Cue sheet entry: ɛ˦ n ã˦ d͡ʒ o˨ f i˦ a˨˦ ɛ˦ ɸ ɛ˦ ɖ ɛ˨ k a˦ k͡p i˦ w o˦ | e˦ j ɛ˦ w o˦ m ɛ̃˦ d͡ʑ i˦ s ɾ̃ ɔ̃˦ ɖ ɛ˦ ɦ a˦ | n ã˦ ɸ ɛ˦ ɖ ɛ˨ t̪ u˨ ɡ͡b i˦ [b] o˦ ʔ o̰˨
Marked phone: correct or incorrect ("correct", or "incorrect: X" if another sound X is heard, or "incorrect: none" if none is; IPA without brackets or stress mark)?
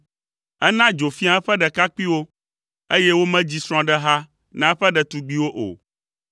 incorrect: w